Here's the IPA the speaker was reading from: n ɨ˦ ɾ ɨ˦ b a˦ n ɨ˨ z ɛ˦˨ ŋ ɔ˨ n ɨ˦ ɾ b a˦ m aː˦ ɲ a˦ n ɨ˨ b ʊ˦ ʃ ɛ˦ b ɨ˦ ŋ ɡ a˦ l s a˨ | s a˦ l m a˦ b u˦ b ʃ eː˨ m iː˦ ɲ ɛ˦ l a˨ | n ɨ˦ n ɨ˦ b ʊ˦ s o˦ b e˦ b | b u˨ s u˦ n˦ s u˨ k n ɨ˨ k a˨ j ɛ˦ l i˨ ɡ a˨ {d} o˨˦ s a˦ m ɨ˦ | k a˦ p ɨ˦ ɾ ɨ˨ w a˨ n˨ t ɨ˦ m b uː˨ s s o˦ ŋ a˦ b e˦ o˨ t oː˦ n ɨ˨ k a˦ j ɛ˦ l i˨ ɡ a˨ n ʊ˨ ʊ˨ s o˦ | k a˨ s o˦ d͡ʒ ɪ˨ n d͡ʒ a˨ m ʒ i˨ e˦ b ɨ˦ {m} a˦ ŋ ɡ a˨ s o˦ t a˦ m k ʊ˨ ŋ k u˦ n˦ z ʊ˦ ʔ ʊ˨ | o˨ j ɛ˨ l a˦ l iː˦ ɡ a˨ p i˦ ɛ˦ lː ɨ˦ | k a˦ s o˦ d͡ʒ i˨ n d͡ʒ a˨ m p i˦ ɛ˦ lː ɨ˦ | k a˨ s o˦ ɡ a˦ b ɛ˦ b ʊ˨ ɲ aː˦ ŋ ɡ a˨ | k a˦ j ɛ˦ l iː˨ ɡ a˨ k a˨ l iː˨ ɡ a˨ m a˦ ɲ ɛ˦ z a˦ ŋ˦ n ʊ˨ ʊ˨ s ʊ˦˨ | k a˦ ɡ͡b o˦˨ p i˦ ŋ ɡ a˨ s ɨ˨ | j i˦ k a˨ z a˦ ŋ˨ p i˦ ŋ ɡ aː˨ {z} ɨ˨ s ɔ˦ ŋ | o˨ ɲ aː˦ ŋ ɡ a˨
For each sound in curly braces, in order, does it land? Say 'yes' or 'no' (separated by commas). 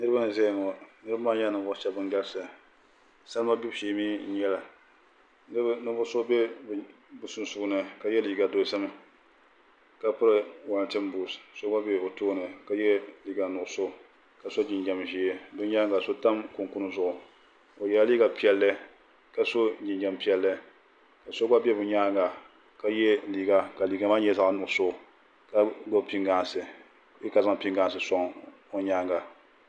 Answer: yes, no, no